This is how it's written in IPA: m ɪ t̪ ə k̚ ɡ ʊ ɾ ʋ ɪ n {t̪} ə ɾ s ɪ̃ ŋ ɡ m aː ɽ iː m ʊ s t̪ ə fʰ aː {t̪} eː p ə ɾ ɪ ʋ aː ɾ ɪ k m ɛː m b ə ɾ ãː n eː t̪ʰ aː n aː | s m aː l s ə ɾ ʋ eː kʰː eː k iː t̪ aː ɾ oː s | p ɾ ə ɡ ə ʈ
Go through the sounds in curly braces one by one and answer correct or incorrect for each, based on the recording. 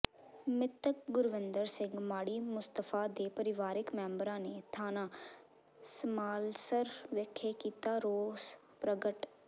incorrect: d̪, incorrect: d̪

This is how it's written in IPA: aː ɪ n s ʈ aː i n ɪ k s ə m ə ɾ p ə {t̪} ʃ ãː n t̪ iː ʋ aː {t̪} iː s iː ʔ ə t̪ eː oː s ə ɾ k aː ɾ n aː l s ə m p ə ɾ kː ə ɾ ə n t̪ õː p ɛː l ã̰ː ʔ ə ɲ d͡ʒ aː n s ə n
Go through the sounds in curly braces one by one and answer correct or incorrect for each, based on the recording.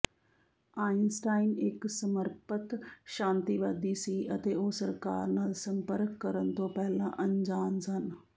correct, incorrect: d̪

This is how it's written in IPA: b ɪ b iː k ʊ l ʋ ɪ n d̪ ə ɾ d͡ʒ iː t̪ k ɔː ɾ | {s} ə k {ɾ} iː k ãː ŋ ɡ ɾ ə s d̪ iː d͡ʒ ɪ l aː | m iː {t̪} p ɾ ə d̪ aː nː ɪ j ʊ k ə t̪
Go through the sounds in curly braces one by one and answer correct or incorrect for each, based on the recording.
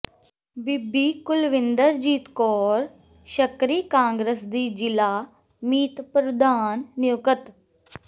incorrect: ʃ, correct, correct

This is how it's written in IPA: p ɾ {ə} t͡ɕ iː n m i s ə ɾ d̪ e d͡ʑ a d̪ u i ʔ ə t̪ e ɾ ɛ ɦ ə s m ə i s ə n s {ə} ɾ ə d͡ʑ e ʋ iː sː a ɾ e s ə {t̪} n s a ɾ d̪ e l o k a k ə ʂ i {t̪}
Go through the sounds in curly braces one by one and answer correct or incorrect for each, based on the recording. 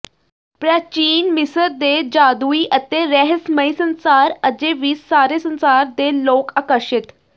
incorrect: a, incorrect: a, incorrect: none, correct

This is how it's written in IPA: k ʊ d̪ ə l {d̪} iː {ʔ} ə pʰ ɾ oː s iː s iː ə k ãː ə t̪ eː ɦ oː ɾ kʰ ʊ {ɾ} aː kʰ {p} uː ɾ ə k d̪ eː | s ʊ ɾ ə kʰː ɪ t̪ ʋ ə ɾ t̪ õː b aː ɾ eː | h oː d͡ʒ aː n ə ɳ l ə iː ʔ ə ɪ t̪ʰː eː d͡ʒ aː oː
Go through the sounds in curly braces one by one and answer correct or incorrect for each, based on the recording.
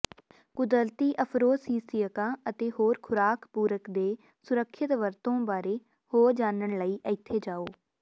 incorrect: t̪, correct, correct, correct

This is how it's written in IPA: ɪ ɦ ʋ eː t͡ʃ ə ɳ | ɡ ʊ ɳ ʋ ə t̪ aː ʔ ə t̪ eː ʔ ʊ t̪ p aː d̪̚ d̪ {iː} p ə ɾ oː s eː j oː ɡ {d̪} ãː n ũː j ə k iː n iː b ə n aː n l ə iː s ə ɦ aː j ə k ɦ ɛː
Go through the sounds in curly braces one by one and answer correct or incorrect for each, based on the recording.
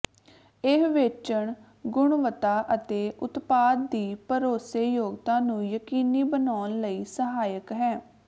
correct, incorrect: t̪

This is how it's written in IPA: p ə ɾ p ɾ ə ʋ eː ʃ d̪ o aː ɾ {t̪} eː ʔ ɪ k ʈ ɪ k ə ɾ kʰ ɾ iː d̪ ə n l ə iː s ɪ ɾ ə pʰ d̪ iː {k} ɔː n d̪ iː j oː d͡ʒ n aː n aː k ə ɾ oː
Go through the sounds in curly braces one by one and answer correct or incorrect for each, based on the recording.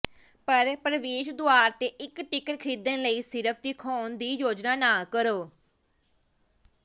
correct, incorrect: kʰ

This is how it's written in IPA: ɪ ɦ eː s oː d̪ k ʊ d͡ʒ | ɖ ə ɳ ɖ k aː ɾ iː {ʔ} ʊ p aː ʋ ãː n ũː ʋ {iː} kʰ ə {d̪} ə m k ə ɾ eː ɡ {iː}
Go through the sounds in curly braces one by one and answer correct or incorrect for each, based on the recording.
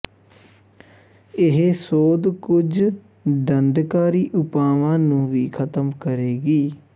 correct, correct, incorrect: t̪, correct

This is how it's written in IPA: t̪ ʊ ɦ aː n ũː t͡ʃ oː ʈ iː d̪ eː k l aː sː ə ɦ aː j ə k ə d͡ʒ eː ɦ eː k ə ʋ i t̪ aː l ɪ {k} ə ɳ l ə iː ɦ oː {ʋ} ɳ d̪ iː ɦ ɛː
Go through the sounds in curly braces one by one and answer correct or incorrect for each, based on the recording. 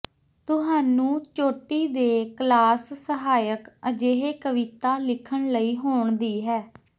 incorrect: kʰ, incorrect: none

